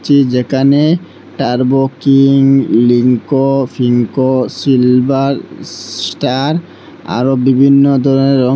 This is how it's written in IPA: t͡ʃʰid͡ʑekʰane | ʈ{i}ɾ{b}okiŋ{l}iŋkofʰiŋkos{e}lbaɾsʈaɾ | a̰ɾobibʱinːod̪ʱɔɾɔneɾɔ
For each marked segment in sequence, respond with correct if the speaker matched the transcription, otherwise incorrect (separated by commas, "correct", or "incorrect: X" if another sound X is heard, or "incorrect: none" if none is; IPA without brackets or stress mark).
incorrect: a, correct, correct, incorrect: i